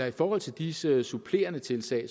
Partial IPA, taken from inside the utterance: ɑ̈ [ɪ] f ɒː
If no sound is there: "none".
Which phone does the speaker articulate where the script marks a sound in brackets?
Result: i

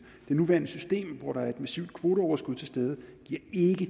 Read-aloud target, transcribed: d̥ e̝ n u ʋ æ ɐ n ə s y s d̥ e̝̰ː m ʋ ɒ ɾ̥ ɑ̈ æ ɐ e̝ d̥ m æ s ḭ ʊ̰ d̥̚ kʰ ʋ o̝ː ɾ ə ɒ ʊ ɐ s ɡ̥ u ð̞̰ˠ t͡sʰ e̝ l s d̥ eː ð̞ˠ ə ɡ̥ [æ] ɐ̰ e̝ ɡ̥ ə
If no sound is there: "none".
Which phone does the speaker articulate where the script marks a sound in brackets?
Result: i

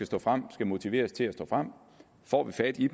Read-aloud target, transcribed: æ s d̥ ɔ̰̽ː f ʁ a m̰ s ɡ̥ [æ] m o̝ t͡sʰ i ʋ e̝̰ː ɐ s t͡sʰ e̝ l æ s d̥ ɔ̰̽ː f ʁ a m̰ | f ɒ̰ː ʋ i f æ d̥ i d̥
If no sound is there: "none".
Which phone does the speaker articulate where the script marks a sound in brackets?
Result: æ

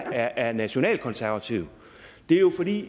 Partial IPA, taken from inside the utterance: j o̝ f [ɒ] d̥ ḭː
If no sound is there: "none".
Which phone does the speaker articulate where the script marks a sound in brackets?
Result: ɒ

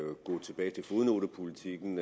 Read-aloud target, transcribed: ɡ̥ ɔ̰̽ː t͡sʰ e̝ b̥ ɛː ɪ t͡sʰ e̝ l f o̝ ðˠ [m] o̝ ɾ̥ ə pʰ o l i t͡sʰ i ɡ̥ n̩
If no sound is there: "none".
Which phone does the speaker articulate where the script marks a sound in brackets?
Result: n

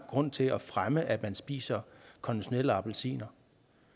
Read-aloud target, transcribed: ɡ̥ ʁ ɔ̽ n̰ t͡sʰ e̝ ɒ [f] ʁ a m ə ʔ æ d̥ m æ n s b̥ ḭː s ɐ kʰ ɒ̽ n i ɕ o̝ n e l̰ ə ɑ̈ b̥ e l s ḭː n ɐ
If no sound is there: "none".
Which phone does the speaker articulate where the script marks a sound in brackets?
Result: f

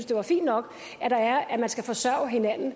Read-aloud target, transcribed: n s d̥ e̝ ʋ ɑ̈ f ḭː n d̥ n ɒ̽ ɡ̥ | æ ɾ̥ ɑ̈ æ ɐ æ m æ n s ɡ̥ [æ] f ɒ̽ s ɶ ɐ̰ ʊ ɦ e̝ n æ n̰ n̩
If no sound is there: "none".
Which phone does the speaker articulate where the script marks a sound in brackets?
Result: æ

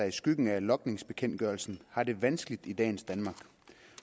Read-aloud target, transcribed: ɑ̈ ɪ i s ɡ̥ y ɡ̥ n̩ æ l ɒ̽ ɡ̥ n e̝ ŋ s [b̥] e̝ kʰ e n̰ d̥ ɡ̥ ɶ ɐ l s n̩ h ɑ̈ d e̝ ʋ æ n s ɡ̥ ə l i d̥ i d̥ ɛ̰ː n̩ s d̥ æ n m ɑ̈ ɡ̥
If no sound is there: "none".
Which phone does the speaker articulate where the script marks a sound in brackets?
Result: b̥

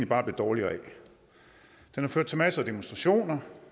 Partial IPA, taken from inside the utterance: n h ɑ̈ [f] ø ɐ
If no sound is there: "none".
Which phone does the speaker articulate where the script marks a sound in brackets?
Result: f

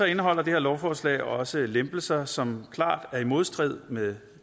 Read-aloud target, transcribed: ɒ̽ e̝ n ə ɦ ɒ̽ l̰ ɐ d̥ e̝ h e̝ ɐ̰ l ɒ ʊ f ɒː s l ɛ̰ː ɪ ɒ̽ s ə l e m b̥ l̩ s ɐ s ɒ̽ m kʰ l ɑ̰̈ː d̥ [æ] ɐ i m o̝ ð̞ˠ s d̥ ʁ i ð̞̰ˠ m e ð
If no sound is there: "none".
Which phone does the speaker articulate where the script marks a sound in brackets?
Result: æ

